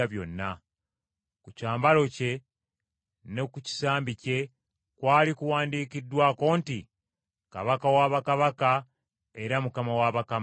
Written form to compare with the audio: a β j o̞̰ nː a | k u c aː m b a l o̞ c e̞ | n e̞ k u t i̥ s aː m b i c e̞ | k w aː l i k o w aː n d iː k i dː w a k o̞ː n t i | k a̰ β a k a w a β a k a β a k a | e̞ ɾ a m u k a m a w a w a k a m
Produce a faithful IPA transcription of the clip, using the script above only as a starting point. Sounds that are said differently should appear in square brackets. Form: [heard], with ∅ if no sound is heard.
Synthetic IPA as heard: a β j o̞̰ nː a | k u c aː m b a l o̞ c e̞ | n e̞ k u [c] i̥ s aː m b i c e̞ | k w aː l i k [u] w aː n d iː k i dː w a k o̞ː n t i | k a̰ β a k a w a β a k a β a k a | e̞ ɾ a m u k a m a w a [β] a k a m